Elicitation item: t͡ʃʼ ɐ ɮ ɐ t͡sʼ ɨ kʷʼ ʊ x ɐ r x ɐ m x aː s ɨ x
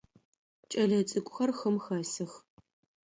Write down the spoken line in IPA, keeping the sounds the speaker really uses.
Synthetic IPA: t͡ʃʼ ɐ ɮ ɐ t͡sʼ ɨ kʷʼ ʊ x ɐ r x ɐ m x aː s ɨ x

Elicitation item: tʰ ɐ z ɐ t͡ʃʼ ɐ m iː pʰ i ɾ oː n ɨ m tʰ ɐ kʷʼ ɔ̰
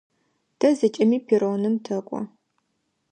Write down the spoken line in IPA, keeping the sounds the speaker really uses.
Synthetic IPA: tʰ ɐ z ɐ t͡ʃʼ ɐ m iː pʰ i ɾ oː n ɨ m tʰ ɐ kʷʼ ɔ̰

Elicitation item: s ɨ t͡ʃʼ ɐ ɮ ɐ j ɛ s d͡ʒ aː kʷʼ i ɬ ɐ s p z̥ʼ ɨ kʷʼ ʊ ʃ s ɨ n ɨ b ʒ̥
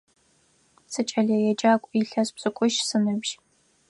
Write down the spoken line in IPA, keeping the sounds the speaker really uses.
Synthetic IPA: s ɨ t͡ʃʼ ɐ ɮ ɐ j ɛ d͡ʒ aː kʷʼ i ɬ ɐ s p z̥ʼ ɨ kʷʼ ʊ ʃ s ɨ n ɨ b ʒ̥

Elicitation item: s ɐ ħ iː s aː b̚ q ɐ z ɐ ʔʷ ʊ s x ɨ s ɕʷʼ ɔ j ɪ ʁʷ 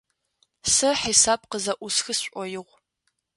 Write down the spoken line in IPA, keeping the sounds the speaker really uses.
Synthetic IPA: s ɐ ħ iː s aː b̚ q ə z ɐ ʔʷ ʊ s x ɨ s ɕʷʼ ɔ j ɪ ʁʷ

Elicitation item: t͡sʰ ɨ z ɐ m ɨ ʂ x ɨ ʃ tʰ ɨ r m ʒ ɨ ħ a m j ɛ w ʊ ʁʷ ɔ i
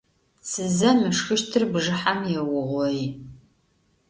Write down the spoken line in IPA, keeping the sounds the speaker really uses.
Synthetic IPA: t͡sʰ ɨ z ɐ m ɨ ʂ x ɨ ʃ tʰ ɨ r b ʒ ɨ ħ a m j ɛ w ʊ ʁʷ ɔ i

